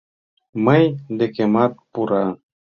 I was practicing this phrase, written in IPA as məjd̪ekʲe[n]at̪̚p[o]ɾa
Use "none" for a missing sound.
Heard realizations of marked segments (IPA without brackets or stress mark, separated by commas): m, u